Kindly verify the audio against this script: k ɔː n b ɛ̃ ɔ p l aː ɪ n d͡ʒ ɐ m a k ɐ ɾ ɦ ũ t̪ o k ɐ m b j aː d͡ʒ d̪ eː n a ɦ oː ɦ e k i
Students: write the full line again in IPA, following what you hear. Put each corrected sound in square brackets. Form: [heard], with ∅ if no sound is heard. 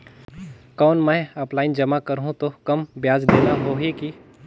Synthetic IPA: k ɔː n [m] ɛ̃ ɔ p l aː ɪ n d͡ʒ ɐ m a k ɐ ɾ ɦ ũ t̪ o k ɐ m b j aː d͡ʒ d̪ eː n a ɦ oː ɦ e k i